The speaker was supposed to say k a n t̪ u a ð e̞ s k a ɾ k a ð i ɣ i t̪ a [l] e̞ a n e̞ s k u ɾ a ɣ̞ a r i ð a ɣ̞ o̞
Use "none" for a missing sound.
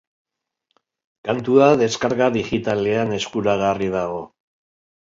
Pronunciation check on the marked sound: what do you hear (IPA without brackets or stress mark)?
l